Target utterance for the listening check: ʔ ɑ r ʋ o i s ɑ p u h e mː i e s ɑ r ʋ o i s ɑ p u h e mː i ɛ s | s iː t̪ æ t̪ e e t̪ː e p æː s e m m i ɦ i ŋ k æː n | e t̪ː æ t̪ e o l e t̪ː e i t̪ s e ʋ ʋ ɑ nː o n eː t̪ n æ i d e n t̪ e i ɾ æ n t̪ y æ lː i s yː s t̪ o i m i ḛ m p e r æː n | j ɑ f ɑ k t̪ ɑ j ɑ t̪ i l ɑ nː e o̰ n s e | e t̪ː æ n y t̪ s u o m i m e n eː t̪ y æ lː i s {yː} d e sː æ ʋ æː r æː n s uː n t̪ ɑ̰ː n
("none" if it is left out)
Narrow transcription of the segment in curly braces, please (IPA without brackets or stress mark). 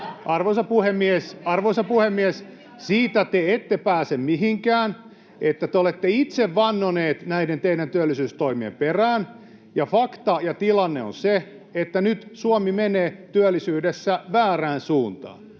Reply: yː